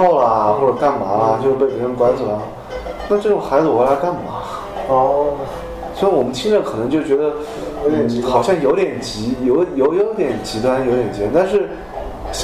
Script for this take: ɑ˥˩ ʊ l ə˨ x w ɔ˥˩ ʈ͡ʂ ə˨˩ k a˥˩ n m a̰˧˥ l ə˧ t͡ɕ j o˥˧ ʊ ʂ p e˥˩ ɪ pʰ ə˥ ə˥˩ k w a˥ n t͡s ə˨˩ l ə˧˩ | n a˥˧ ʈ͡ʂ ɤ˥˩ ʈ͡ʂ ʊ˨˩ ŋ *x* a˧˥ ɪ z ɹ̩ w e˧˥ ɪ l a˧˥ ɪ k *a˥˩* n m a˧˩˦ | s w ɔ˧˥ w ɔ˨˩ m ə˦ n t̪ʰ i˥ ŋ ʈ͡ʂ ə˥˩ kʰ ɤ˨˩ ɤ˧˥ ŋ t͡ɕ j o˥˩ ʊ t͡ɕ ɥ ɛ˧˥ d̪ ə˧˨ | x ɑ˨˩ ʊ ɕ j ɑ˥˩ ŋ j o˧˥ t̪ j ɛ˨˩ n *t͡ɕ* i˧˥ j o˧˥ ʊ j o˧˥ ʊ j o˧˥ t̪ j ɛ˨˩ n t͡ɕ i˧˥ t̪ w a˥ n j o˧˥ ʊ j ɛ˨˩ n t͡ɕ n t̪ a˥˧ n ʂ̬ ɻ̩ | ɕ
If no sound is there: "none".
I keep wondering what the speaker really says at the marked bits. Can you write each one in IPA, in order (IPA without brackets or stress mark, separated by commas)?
x, a˥˩, t͡ɕ